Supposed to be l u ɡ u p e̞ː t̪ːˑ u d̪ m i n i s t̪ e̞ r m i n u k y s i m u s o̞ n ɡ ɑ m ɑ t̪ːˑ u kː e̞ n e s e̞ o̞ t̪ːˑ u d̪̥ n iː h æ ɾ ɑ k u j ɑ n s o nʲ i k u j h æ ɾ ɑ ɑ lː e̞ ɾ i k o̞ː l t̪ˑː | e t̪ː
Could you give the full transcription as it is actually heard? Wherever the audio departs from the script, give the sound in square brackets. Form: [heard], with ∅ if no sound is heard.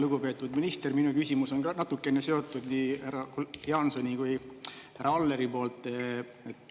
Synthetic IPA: l u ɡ u p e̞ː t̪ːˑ u d̪ m i n i s t̪ e̞ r m i n u k y s i m u s o̞ n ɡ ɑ [n] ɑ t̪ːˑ u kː e̞ n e s e̞ o̞ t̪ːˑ u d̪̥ n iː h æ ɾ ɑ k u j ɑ n s o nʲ i k u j h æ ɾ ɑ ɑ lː e̞ ɾ i [p] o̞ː l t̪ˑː | e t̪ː